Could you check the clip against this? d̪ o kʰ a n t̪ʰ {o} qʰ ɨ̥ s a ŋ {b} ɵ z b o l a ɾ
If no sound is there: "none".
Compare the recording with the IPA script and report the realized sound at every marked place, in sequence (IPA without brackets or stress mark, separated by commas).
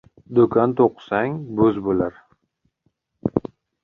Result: o, b